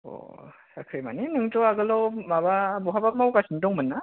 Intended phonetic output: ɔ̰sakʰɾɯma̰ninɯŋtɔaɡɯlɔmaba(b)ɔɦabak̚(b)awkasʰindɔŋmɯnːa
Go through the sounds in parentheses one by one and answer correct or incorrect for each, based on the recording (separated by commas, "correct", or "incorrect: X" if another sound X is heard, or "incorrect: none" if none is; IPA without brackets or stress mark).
correct, incorrect: m